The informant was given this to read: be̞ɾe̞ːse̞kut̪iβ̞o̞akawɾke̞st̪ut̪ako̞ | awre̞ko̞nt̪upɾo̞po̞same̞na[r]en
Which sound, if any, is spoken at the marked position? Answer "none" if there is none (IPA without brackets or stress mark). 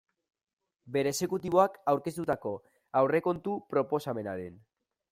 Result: ɾ